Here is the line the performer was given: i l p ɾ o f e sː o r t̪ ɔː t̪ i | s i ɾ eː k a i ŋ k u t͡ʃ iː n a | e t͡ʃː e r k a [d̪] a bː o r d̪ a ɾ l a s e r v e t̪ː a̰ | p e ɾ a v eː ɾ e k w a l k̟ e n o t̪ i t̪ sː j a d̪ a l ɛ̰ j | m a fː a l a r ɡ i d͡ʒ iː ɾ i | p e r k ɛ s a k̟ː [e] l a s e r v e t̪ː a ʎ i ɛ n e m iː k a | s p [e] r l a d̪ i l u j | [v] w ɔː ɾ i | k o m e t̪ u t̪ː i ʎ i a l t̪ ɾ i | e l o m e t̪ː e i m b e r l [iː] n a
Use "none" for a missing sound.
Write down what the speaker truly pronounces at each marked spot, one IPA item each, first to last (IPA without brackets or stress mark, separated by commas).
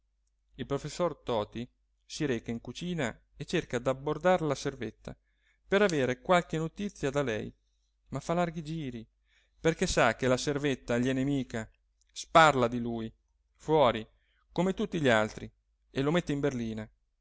d̪, e, a, f, iː